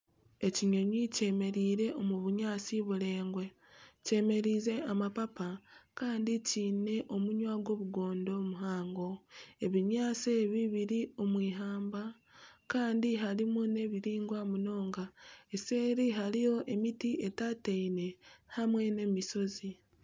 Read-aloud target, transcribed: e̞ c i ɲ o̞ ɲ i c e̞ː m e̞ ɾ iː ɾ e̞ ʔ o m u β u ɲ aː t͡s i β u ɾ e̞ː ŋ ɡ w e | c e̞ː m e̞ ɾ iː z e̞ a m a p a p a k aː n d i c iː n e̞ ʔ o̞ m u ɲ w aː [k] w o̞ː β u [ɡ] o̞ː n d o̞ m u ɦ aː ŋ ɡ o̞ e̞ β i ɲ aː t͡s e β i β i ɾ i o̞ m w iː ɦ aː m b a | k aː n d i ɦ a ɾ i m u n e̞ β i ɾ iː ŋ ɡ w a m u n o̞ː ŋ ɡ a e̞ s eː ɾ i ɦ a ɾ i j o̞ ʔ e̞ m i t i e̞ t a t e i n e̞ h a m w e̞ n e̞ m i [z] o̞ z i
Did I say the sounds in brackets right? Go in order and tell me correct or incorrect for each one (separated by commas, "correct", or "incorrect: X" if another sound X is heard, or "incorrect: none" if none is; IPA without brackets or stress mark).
incorrect: ɡ, correct, incorrect: s